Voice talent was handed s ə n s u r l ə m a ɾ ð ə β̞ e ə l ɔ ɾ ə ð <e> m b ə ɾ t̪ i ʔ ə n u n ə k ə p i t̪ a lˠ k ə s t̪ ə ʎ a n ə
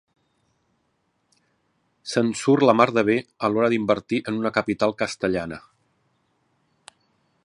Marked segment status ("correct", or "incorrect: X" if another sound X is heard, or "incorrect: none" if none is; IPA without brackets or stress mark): incorrect: i